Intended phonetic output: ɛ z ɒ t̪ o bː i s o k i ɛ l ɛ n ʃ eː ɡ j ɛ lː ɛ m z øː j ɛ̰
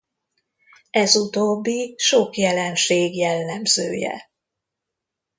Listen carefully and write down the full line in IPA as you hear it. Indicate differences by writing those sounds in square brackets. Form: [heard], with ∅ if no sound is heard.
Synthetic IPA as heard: ɛ z [u] t̪ o bː i [ʃ] o k [j] ɛ l ɛ n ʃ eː ɡ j ɛ lː ɛ m z øː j ɛ̰